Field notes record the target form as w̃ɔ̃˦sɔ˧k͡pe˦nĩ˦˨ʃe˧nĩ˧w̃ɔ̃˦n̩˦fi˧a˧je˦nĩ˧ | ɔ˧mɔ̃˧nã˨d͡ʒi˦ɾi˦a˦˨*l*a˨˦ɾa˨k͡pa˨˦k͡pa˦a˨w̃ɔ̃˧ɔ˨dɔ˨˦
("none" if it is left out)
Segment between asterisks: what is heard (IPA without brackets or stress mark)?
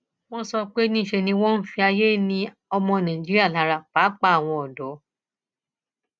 l